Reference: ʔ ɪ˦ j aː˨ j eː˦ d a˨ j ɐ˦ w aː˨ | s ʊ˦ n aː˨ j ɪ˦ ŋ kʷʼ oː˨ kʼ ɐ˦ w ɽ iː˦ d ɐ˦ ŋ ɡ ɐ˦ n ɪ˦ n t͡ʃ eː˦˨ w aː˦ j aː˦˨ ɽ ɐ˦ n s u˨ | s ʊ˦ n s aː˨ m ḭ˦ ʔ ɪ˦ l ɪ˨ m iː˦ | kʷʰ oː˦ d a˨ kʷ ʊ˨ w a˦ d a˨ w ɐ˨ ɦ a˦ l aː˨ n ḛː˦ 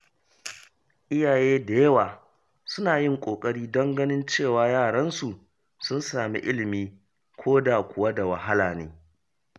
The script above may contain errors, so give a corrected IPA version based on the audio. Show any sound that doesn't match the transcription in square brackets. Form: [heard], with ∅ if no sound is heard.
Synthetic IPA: ʔ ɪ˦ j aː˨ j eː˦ d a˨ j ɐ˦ w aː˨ | s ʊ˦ n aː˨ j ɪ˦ ŋ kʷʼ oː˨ kʼ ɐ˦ [∅] ɽ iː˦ d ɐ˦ ŋ ɡ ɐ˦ n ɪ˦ n t͡ʃ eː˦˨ w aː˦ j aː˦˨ ɽ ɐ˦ n s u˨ | s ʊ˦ n s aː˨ m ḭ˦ ʔ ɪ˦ l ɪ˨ m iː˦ | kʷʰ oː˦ d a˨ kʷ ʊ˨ w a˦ d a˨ w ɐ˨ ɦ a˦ l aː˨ n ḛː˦